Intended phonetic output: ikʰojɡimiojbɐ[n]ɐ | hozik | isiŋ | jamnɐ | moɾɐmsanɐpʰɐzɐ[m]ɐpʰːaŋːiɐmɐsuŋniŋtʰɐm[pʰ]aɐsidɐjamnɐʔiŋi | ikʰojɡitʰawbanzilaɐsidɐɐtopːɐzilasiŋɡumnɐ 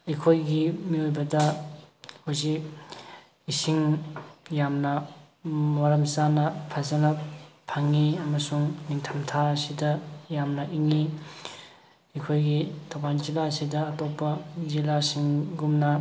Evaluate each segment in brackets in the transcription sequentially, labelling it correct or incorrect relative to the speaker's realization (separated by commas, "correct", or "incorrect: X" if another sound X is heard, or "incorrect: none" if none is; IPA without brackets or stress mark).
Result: incorrect: d, incorrect: n, incorrect: tʰ